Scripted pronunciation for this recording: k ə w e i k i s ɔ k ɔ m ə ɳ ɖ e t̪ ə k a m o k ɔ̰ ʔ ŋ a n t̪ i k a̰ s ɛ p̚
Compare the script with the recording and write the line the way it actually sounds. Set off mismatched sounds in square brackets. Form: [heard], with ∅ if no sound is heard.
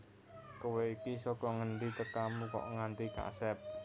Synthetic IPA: k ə w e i k i s ɔ k ɔ [ŋ] ə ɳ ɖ [i] t̪ ə k a m [u] k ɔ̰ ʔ ŋ a n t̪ i k a̰ s ɛ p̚